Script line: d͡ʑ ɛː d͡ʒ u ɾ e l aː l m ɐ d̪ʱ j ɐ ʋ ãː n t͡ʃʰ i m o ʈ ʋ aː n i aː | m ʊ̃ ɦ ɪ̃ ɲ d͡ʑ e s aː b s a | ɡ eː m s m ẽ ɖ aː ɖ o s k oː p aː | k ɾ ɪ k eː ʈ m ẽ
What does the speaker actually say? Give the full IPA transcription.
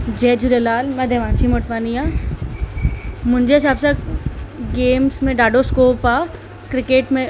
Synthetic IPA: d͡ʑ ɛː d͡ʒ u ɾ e l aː l m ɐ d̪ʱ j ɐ ʋ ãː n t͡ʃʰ i m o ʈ ʋ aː n i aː | m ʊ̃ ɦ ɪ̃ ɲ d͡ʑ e s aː b s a | ɡ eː m s m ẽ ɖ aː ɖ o s k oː p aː | k ɾ ɪ k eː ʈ m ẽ